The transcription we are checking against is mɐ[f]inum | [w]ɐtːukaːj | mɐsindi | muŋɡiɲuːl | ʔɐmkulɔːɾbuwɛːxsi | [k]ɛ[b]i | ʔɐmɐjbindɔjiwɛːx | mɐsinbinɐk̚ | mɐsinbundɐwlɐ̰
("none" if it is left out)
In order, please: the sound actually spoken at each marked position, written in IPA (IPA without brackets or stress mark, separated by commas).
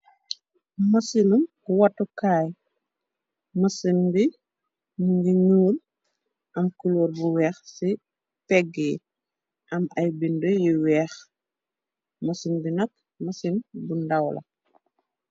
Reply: s, w, p, ɡ